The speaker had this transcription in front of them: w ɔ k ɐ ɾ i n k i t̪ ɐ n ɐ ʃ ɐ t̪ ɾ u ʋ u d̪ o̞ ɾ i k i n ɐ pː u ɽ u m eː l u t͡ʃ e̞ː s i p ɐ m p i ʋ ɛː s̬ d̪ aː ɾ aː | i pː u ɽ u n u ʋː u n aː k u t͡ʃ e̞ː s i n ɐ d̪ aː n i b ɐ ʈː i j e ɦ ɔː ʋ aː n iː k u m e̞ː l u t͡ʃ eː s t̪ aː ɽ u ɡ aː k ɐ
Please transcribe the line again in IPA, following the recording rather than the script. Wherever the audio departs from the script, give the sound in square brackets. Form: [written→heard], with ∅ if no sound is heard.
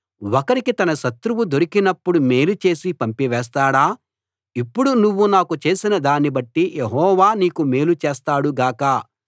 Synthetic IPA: w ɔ k ɐ ɾ i [n→∅] k i t̪ ɐ n ɐ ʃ ɐ t̪ ɾ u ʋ u d̪ o̞ ɾ i k i n ɐ pː u ɽ u m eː l u t͡ʃ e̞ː s i p ɐ m p i ʋ ɛː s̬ [d̪→t̪] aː [ɾ→ɽ] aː | i pː u ɽ u n u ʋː u n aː k u t͡ʃ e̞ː s i n ɐ d̪ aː n i b ɐ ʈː i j e ɦ ɔː ʋ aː n iː k u m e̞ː l u t͡ʃ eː s t̪ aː ɽ u ɡ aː k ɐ

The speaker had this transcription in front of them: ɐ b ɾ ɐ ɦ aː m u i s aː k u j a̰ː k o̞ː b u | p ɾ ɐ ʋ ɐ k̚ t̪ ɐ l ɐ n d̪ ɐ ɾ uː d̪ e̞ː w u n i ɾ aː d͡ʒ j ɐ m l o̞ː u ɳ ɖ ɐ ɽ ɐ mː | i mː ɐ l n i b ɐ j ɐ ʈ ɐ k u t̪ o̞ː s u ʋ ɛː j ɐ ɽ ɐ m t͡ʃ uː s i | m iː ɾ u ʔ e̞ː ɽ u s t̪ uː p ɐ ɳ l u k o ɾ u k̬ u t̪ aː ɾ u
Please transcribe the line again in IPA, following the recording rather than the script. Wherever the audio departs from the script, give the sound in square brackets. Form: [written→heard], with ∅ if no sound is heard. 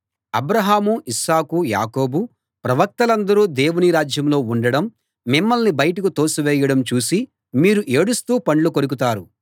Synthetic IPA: ɐ b ɾ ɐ ɦ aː m u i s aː k u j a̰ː k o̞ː b u | p ɾ ɐ ʋ ɐ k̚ t̪ ɐ l ɐ n d̪ ɐ ɾ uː d̪ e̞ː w u n i ɾ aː d͡ʒ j ɐ m l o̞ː u ɳ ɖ ɐ ɽ ɐ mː | i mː ɐ l n i b ɐ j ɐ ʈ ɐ k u t̪ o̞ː s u ʋ ɛː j ɐ ɽ ɐ m t͡ʃ uː s i | m iː ɾ u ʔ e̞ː ɽ u s t̪ uː p ɐ ɳ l u k o ɾ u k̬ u t̪ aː ɾ u

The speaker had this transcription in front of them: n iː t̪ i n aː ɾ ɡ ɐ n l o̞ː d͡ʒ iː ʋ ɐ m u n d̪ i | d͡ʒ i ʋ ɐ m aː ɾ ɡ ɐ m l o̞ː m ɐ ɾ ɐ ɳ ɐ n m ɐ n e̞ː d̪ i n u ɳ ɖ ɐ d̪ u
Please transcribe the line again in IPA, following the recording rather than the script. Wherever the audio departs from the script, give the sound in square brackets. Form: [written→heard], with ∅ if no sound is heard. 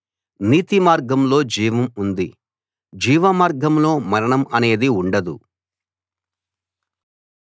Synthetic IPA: n iː t̪ i [n→m] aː ɾ ɡ ɐ [n→m] l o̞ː d͡ʒ iː ʋ ɐ m u n d̪ i | d͡ʒ [i→iː] ʋ ɐ m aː ɾ ɡ ɐ m l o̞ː m ɐ ɾ ɐ ɳ ɐ [n→∅] m ɐ n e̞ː d̪ i [n→∅] u ɳ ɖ ɐ d̪ u

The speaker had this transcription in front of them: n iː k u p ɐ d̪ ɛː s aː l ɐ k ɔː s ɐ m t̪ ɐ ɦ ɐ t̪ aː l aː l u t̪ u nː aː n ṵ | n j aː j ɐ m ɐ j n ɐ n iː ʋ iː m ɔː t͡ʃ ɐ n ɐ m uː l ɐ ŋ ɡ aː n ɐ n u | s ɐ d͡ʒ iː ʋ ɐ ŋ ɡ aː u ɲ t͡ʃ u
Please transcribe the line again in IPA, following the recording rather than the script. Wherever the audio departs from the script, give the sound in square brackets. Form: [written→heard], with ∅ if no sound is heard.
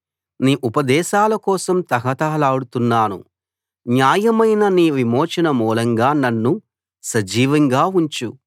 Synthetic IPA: n iː [k→ʔ] u p ɐ d̪ ɛː [s→ʃ] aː l ɐ k ɔː s ɐ m t̪ ɐ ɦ ɐ t̪ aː l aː [l→ɽ] u t̪ u nː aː n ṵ | n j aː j ɐ m ɐ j n ɐ n iː ʋ [iː→i] m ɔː t͡ʃ ɐ n ɐ m uː l ɐ ŋ ɡ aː n ɐ [n→nː] u | s ɐ d͡ʒ iː ʋ ɐ ŋ ɡ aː u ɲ t͡ʃ u

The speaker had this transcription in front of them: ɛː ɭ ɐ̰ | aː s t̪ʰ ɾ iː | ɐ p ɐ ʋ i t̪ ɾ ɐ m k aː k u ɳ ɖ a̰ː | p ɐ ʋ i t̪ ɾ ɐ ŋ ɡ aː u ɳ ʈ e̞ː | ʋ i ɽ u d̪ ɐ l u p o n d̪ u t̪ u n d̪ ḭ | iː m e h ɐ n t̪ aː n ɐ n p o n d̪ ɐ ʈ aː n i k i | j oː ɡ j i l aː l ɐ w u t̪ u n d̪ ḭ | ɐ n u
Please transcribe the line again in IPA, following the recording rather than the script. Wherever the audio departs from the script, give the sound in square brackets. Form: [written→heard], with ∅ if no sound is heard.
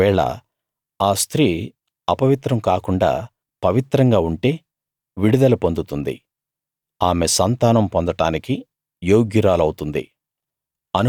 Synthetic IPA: ɛː ɭ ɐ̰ | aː s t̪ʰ ɾ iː | ɐ p ɐ ʋ i t̪ ɾ ɐ m k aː k u ɳ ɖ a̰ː | p ɐ ʋ i t̪ ɾ ɐ ŋ ɡ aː u ɳ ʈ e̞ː | ʋ i ɽ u d̪ ɐ l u p o n d̪ u t̪ u n d̪ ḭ | [iː→aː] m e [h→s] ɐ n t̪ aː n ɐ [n→m] p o n d̪ ɐ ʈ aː n i k i | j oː ɡ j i [l→ɾ] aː l ɐ w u t̪ u n d̪ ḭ | ɐ n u

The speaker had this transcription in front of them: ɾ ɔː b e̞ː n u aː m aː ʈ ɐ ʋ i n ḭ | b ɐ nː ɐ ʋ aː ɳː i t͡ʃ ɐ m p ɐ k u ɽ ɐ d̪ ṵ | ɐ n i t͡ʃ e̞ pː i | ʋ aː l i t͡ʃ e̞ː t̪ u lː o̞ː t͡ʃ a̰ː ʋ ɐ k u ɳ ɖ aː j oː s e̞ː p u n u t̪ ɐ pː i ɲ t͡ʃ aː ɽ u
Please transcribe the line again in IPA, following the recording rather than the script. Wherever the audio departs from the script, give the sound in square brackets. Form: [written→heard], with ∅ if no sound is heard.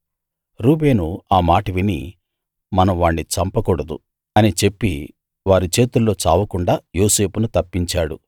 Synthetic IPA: ɾ [ɔː→uː] b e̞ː n u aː m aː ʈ ɐ ʋ i n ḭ | [b→m] ɐ [nː→n] ɐ ʋ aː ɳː i t͡ʃ ɐ m p ɐ k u ɽ ɐ d̪ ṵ | ɐ n i t͡ʃ e̞ pː i | ʋ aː [l→ɾ] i t͡ʃ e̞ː t̪ u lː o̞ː t͡ʃ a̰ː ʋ ɐ k u ɳ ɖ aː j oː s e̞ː p u n u t̪ ɐ pː i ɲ t͡ʃ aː ɽ u

